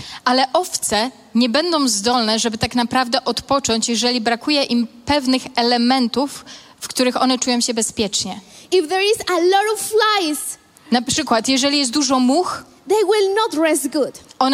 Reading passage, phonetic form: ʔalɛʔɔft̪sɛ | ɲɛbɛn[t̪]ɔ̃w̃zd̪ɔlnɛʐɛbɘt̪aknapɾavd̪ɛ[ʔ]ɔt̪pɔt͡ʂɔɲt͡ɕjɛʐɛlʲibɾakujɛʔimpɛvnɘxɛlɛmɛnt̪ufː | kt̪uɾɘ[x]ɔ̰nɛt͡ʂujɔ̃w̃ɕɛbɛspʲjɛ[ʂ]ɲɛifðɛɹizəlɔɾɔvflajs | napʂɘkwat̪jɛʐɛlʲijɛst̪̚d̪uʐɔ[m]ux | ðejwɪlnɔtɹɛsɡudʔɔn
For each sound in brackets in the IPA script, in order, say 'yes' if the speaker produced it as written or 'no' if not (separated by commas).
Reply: no, yes, yes, no, yes